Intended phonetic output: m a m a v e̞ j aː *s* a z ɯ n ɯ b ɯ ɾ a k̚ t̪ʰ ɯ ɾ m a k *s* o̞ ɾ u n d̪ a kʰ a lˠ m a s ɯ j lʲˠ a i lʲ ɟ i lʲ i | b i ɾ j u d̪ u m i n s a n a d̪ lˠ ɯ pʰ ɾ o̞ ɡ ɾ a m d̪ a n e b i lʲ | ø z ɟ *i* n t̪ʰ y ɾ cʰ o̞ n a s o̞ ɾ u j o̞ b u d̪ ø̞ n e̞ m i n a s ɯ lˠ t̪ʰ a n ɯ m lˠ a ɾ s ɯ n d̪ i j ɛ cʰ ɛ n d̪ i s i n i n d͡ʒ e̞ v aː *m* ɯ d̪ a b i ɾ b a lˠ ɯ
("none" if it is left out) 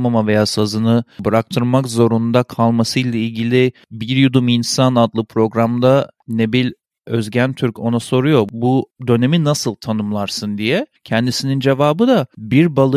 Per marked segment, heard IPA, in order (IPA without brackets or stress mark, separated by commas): s, z, æ, b